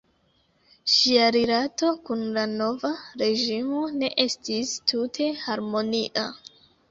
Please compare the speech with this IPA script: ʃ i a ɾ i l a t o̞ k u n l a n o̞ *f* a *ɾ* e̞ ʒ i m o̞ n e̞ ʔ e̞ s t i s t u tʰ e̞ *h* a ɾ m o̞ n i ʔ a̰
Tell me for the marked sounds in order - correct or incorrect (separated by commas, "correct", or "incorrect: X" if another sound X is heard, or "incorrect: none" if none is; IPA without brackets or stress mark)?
incorrect: v, correct, correct